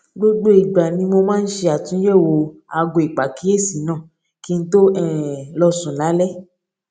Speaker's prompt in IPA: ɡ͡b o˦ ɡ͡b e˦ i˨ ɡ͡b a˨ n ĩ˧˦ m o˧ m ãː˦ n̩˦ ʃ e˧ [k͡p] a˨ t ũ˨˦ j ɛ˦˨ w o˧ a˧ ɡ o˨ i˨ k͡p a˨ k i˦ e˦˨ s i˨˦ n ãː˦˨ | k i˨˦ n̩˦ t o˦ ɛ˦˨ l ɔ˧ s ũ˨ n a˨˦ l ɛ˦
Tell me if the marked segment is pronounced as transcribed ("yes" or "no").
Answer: no